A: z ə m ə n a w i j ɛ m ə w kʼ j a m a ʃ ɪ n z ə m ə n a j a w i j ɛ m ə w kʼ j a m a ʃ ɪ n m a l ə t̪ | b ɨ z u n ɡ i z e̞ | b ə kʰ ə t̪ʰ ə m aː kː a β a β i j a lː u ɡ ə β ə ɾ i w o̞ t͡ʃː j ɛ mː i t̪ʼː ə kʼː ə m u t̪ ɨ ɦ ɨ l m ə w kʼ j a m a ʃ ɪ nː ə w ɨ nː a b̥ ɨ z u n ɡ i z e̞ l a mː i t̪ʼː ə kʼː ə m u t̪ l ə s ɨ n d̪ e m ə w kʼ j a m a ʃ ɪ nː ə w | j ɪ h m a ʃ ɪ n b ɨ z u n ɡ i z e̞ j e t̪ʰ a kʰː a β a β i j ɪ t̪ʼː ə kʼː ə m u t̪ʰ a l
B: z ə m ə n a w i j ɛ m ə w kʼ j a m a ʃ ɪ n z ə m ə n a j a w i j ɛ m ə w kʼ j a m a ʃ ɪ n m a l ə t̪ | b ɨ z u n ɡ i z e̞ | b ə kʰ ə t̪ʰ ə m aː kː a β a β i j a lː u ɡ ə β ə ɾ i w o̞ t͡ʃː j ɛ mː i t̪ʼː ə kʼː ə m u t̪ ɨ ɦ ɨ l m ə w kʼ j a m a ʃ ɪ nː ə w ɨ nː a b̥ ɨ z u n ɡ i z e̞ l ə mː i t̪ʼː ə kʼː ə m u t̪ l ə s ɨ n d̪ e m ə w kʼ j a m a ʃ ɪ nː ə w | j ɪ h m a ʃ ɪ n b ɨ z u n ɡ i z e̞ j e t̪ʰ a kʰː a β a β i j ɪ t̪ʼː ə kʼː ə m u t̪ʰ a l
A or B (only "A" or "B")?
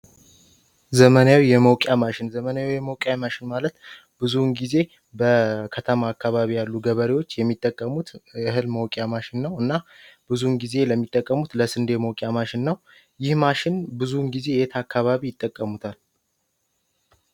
B